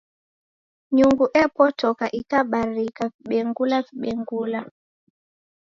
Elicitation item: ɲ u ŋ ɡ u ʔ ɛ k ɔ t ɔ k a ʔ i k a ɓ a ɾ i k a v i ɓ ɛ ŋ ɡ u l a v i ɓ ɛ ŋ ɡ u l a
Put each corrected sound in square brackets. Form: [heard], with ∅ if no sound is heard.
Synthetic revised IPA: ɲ u ŋ ɡ u ʔ ɛ [p] ɔ t ɔ k a ʔ i k a ɓ a ɾ i k a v i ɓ ɛ ŋ ɡ u l a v i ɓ ɛ ŋ ɡ u l a